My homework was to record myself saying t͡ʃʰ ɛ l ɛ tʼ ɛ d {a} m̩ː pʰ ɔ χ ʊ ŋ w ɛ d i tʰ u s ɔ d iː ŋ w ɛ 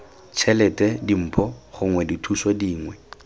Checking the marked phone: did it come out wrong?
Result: yes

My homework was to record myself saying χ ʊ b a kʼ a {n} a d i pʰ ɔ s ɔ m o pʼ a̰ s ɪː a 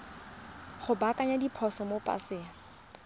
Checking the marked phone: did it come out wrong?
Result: yes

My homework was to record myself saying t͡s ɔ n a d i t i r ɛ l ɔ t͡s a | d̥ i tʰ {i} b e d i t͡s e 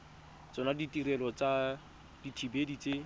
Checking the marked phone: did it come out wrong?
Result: no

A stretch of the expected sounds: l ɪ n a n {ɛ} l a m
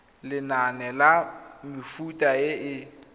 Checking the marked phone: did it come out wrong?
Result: no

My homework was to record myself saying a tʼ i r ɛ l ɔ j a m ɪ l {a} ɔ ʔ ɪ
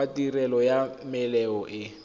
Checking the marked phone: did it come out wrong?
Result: yes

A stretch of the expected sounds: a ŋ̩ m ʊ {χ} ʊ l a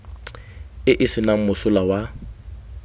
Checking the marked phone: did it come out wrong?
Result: yes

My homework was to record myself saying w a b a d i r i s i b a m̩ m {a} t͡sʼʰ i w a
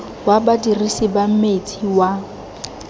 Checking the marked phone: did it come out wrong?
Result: yes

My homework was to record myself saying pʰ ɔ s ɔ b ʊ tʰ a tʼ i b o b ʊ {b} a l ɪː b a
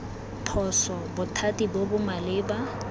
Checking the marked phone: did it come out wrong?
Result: yes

